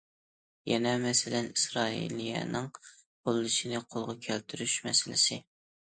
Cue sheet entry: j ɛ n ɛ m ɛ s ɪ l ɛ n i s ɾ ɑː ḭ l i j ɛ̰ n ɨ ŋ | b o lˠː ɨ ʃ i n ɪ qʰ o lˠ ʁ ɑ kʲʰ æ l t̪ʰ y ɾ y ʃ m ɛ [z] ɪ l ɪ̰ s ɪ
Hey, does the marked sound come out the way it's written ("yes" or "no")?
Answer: no